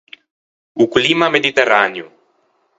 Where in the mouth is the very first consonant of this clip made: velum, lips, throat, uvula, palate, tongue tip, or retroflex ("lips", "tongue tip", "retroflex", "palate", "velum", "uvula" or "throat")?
velum